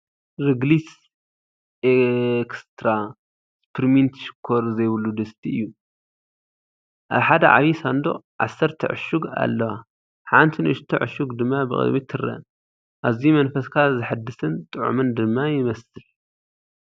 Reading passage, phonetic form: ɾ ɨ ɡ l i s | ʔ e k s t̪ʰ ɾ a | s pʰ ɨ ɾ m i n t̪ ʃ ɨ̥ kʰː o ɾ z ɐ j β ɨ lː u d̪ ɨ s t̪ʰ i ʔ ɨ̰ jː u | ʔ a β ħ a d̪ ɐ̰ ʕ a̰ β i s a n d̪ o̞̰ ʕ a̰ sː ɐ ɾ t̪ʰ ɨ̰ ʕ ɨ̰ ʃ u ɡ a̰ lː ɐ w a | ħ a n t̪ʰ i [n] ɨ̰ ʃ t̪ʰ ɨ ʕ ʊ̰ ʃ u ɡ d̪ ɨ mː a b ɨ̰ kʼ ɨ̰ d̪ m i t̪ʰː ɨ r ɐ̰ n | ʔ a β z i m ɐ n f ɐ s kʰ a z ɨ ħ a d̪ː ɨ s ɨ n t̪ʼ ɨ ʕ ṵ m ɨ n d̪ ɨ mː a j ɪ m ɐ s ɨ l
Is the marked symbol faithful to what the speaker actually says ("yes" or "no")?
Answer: yes